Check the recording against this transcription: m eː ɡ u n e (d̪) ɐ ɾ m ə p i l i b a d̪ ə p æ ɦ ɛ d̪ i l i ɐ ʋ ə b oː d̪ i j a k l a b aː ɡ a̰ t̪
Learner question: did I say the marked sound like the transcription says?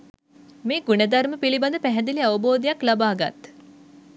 yes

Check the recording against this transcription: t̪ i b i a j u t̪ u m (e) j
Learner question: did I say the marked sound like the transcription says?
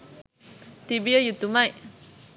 no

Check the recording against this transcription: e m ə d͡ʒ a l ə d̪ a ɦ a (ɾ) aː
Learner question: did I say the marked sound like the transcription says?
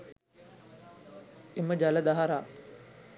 yes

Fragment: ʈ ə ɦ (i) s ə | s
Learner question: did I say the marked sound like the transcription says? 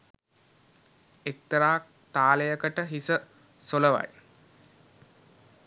yes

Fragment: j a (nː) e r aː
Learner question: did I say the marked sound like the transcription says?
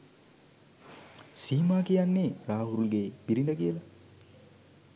yes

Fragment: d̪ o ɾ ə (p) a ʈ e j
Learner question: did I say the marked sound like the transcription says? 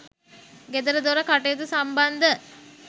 no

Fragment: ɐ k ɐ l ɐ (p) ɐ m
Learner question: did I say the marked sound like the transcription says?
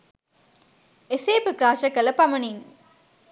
yes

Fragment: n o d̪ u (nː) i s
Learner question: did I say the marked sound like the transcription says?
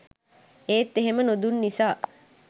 yes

